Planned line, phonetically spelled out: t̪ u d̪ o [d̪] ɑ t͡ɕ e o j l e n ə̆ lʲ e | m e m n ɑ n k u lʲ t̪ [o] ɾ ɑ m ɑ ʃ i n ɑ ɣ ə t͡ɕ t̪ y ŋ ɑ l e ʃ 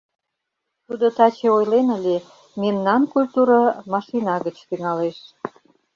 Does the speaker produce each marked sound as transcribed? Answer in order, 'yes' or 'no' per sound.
no, no

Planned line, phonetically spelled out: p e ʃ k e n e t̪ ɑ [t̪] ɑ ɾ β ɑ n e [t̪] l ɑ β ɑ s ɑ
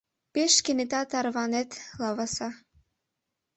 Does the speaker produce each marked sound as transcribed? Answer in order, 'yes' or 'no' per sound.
yes, yes

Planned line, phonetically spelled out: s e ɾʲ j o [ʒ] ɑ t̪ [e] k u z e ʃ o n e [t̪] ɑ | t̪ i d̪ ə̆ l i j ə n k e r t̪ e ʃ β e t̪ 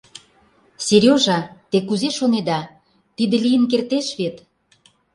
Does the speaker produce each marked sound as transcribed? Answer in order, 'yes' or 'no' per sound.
yes, yes, no

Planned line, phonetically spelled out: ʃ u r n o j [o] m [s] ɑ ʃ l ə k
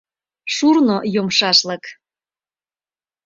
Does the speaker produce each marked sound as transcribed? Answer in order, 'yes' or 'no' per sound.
yes, no

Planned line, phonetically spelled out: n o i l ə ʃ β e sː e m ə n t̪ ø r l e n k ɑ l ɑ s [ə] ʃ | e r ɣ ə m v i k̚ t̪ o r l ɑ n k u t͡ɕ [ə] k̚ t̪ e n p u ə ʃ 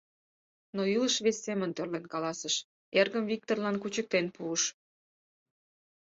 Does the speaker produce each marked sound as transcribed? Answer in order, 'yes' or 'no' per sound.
yes, yes

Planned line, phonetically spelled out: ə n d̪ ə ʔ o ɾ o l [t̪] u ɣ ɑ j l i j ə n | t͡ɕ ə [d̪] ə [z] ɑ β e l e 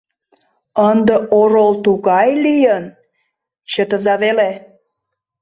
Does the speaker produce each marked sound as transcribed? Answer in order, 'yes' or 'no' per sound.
yes, no, yes

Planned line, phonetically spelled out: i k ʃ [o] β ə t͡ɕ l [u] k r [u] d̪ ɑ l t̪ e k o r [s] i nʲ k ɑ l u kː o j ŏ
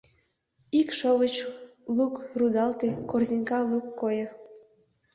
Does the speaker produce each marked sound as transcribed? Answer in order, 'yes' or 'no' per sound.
yes, yes, yes, no

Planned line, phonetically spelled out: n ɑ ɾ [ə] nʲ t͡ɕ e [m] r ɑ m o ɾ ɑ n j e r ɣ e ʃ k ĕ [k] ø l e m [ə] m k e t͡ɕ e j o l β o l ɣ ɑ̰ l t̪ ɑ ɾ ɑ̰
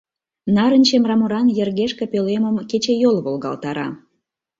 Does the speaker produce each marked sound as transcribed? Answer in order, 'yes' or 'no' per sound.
yes, yes, no, yes

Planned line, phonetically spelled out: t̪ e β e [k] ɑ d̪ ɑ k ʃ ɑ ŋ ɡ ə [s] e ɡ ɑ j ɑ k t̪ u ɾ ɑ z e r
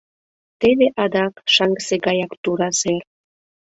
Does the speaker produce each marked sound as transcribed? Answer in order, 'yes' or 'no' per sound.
no, yes

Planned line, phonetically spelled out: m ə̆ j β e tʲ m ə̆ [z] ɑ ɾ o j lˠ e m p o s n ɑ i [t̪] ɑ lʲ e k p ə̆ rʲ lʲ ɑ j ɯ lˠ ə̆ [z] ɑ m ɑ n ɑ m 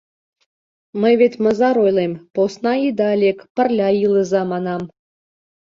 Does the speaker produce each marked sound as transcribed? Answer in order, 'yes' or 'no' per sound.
yes, no, yes

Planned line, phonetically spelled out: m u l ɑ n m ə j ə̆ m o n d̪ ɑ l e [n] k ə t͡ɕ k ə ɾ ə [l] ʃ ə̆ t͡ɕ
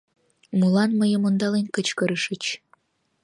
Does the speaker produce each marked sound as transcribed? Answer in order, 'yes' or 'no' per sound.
yes, no

